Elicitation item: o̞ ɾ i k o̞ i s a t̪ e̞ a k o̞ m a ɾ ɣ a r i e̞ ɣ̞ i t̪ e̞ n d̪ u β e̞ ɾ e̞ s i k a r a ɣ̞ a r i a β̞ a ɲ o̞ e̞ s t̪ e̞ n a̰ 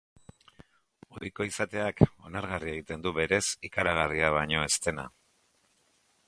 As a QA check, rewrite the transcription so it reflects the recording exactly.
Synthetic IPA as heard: o̞ ɾ i k o̞ i s a t̪ e̞ a k o̞ n a ɾ ɣ a r i e̞ ɣ̞ i t̪ e̞ n d̪ u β e̞ ɾ e̞ s i k a ɾ a ɣ̞ a r i a β̞ a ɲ o̞ e̞ s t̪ e̞ n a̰